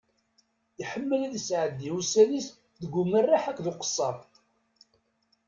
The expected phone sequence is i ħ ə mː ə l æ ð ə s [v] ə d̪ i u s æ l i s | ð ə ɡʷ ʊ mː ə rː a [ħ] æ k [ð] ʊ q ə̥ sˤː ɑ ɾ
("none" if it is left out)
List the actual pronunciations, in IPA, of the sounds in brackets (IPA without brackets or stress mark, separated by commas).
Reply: ʕ, ħ, ð